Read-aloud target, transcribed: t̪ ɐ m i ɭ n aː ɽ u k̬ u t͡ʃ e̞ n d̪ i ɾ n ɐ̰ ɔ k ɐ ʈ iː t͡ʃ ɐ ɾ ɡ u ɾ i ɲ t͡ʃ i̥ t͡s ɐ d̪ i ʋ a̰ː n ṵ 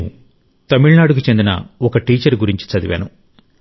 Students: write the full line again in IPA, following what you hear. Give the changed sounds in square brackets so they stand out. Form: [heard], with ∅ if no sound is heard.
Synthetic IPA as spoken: t̪ ɐ m i ɭ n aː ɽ u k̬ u t͡ʃ e̞ n d̪ i [∅] n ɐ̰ ɔ k ɐ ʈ iː t͡ʃ ɐ ɾ ɡ u ɾ i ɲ t͡ʃ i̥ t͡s ɐ d̪ i ʋ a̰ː n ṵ